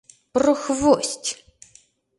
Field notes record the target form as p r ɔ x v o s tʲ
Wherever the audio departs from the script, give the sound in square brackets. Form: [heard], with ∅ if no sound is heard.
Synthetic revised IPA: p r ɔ x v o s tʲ